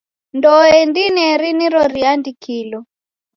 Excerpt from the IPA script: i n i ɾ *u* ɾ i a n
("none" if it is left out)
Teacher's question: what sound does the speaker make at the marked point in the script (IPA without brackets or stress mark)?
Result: ɔ